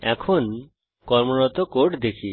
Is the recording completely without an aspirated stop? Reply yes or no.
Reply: no